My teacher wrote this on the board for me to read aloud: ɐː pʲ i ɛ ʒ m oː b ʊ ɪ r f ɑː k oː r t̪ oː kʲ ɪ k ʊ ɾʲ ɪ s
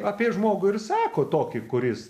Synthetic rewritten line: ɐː pʲ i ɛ ʒ m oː ɡ ʊ ɪ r s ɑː k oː t̪ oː kʲ ɪ k ʊ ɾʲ ɪ s